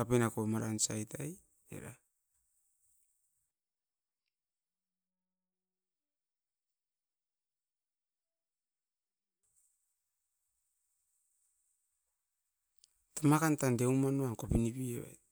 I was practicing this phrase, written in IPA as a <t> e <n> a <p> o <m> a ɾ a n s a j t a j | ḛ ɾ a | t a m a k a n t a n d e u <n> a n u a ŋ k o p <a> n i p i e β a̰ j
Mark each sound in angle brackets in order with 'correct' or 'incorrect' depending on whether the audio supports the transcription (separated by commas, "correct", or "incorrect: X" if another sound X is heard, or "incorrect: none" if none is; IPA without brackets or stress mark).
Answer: incorrect: p, correct, incorrect: k, correct, incorrect: m, incorrect: i